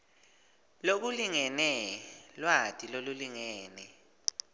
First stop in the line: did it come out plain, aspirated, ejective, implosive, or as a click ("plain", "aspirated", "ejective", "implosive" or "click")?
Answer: plain